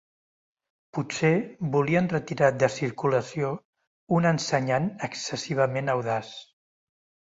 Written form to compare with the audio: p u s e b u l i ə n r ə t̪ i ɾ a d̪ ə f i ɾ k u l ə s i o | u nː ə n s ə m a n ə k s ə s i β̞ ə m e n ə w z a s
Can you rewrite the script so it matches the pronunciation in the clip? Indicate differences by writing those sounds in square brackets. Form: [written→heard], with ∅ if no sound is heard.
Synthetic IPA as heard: p u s e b u l i ə n r ə t̪ i ɾ a d̪ ə [f→s] i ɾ k u l ə s i o | u [nː→n] ə n s ə [m→ɲ] a n ə k s ə s i β̞ ə m e n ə w [z→ð] a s